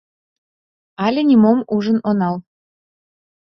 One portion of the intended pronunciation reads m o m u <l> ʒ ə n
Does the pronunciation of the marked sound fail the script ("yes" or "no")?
yes